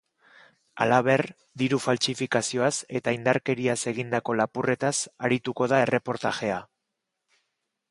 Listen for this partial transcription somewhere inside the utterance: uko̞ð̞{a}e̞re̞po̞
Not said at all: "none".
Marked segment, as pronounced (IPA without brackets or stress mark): a